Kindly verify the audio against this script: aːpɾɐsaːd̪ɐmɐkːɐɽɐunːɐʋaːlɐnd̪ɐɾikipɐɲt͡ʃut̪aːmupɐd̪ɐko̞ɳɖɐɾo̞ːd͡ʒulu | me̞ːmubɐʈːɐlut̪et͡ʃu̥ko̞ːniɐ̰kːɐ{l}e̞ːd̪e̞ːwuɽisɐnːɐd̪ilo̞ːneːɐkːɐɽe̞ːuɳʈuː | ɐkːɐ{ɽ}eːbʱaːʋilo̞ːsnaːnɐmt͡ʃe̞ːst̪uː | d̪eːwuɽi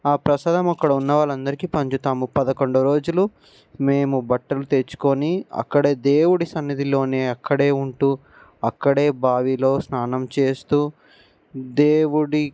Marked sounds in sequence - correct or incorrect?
incorrect: ɽ, correct

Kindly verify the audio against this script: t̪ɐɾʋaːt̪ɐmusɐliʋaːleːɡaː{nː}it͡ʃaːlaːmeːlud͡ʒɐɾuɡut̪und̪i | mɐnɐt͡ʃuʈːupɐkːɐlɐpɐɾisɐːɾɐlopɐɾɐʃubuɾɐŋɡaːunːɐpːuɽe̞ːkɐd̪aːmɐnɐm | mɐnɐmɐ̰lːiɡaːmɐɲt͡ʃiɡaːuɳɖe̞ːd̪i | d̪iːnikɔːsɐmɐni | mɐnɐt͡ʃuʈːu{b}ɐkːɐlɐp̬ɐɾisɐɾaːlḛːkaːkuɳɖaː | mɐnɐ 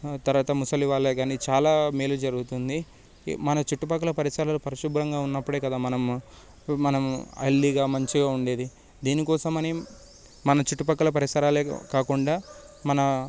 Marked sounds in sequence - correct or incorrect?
incorrect: n, incorrect: p

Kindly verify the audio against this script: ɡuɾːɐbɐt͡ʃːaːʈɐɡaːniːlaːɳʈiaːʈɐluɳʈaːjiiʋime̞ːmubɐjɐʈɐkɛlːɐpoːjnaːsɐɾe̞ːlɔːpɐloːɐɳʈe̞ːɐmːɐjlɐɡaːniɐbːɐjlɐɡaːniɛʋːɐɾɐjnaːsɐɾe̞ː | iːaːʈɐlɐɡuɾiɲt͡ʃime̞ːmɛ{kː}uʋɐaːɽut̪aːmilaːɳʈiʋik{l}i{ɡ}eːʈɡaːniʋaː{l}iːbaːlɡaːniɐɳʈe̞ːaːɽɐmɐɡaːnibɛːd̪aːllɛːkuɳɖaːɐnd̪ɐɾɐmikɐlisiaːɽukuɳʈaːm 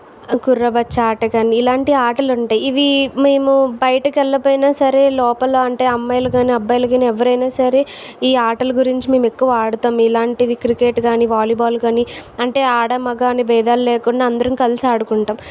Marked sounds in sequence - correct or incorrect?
correct, incorrect: ɾ, incorrect: k, correct

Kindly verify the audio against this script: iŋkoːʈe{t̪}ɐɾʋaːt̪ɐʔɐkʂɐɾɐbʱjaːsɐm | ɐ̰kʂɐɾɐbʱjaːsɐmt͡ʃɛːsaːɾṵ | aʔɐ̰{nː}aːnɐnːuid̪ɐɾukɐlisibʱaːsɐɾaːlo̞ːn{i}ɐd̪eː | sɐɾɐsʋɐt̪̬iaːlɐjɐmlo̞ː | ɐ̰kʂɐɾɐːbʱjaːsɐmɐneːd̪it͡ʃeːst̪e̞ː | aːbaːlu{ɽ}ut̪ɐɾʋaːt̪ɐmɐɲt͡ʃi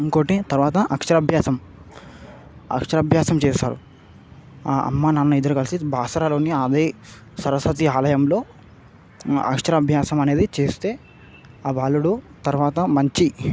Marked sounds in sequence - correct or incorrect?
correct, incorrect: mː, correct, correct

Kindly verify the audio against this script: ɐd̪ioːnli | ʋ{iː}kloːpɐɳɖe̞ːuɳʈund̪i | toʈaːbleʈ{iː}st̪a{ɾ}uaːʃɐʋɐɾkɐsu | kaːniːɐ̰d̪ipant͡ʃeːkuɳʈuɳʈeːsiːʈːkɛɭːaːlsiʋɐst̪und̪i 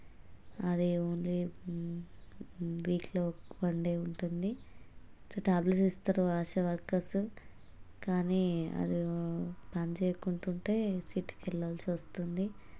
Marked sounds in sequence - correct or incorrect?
correct, incorrect: i, correct

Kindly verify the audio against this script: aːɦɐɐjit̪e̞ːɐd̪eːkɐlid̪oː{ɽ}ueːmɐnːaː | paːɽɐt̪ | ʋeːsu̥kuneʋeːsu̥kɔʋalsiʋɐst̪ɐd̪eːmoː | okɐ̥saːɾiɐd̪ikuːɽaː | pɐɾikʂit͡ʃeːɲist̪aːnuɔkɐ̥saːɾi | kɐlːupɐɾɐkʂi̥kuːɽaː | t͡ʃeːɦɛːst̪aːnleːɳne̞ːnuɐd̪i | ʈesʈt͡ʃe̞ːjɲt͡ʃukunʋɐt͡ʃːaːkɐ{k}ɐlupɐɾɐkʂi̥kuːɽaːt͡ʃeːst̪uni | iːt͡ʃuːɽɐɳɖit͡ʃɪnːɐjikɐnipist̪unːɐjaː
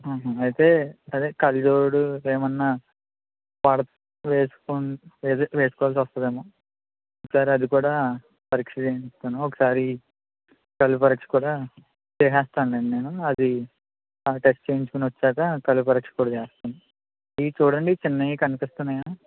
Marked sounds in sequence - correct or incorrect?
correct, correct

